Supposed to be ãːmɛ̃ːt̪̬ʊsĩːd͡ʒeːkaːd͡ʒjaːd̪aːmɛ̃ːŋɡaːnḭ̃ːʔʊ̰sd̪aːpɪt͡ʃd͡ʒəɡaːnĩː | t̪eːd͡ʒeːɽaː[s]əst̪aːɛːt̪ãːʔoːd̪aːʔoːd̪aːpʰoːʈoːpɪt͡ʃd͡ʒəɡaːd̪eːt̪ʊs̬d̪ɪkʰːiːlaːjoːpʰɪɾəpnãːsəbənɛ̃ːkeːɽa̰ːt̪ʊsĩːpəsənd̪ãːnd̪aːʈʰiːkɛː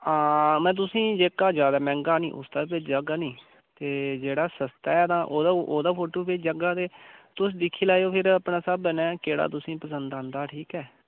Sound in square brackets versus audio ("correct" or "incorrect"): correct